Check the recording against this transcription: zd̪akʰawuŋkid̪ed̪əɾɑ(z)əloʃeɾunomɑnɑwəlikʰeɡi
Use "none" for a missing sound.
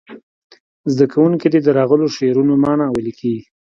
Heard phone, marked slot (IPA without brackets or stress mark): ɣ